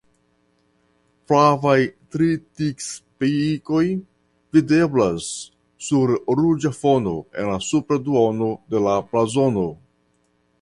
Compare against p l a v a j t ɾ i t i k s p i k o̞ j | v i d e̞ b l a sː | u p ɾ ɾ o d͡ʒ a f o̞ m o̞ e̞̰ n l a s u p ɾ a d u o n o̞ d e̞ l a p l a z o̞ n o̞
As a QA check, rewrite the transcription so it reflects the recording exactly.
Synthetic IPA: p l a v a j t ɾ i t i k s p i k o̞ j | v i d e̞ b l a sː | u ɾ ɾ u d͡ʒ a f o̞ n o̞ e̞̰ n l a s u p ɾ a d u o n o̞ d e̞ l a p l a z o̞ n o̞